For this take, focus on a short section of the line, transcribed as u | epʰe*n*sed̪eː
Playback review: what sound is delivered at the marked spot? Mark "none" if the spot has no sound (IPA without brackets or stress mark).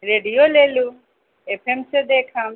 m